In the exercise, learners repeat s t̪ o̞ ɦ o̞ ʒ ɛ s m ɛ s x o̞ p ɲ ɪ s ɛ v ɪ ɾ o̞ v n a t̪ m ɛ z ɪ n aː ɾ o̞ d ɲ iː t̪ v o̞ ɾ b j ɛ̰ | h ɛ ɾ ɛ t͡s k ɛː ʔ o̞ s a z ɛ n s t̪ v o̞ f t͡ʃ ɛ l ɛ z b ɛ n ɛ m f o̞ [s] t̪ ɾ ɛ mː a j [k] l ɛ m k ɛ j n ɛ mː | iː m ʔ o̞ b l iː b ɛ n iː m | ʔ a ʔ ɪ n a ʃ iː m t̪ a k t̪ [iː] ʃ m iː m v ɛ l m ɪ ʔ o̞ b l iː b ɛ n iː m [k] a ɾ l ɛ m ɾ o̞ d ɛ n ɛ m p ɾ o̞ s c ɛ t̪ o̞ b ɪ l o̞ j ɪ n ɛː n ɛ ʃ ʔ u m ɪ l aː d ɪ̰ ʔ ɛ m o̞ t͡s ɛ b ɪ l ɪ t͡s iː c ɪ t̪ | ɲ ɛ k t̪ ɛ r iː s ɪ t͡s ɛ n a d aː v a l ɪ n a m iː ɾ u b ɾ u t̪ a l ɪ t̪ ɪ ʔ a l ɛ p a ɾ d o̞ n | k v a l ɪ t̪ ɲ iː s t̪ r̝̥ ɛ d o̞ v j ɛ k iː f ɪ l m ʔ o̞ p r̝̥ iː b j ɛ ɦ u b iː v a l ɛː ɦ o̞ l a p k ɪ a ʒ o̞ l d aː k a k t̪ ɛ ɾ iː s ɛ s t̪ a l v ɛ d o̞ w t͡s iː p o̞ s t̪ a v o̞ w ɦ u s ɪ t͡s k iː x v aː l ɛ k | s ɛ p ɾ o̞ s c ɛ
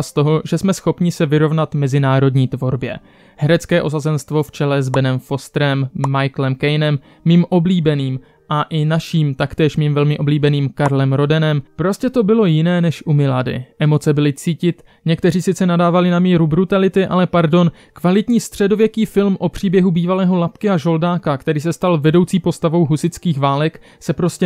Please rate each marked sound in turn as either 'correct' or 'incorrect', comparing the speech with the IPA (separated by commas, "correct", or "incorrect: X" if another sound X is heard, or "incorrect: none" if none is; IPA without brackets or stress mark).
correct, correct, incorrect: ɛː, correct